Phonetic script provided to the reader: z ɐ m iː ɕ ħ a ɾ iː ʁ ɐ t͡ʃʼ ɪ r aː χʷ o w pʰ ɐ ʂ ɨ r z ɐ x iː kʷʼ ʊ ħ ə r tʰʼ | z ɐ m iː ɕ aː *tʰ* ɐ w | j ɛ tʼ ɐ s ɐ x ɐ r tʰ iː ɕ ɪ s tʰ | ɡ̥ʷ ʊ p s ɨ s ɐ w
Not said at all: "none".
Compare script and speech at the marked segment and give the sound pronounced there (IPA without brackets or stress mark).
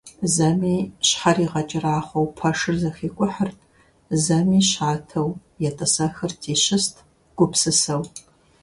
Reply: tʰ